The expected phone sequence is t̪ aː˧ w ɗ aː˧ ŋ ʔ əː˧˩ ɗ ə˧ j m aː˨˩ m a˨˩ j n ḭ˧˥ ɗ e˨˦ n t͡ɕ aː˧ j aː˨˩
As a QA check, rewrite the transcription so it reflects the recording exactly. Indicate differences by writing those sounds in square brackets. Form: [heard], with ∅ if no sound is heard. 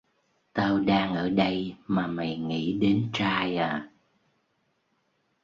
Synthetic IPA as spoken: t̪ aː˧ w ɗ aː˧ ŋ ʔ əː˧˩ ɗ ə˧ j m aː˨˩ m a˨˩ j [ŋ] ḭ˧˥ ɗ e˨˦ n t͡ɕ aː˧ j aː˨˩